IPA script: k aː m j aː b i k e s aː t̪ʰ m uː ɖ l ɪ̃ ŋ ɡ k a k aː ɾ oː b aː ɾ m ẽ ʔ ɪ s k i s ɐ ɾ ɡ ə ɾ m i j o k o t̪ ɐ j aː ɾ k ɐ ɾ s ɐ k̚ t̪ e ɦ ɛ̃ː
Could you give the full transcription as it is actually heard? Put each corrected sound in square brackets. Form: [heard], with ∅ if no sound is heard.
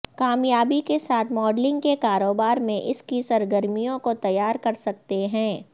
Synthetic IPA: k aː m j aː b i k e s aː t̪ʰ m [ɔː] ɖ l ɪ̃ ŋ ɡ k [e] k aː ɾ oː b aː ɾ m ẽ ʔ ɪ s k i s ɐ ɾ ɡ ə ɾ m i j [õ] k o t̪ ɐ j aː ɾ k ɐ ɾ s ɐ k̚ t̪ e ɦ ɛ̃ː